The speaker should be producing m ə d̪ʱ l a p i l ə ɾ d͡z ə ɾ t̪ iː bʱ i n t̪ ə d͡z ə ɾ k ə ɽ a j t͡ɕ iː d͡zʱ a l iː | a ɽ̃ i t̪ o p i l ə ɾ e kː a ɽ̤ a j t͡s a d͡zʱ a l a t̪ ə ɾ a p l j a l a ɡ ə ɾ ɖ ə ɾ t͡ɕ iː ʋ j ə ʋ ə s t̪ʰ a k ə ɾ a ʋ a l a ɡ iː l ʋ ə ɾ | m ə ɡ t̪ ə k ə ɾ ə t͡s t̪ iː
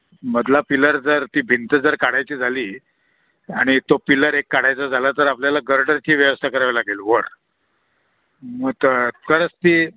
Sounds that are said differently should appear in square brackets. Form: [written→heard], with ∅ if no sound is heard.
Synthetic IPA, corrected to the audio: m ə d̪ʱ l a p i l ə ɾ d͡z ə ɾ t̪ iː bʱ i n t̪ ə d͡z ə ɾ k [ə→a] ɽ a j t͡ɕ iː d͡zʱ a l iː | a ɽ̃ i t̪ o p i l ə ɾ e kː a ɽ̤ a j t͡s a d͡zʱ a l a t̪ ə ɾ a p l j a l a ɡ ə ɾ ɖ ə ɾ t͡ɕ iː ʋ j ə ʋ ə s t̪ʰ a k ə ɾ a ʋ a l a ɡ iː l ʋ ə ɾ | m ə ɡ t̪ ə k ə ɾ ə t͡s t̪ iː

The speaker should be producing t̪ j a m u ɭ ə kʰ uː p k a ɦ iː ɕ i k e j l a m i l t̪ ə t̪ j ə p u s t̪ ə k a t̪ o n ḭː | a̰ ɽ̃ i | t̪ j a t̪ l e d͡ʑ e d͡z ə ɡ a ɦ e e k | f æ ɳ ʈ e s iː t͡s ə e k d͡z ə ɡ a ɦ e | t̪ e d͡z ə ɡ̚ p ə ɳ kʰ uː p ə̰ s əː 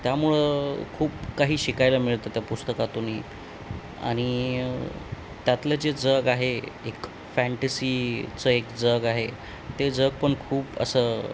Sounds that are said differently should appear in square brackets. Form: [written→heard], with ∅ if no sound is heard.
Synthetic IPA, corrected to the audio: t̪ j a m u ɭ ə kʰ uː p k a ɦ iː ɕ i k [e→a] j l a m i [l→ɭ] t̪ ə t̪ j [ə→a] p u s t̪ ə k a t̪ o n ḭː | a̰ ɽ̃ i | t̪ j a t̪ l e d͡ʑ e d͡z ə ɡ a ɦ e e k | f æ ɳ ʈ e s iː t͡s ə e k d͡z ə ɡ a ɦ e | t̪ e d͡z ə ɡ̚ p ə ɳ kʰ uː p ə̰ s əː

